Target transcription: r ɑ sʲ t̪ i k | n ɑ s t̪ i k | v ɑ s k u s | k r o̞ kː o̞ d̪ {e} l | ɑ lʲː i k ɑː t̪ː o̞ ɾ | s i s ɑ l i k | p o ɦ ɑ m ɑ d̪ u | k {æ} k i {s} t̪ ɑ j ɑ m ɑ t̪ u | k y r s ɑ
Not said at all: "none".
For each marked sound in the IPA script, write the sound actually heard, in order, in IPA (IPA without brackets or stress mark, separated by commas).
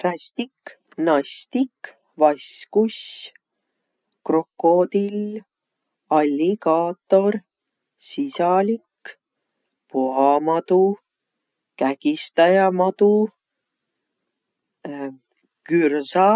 i, æ, s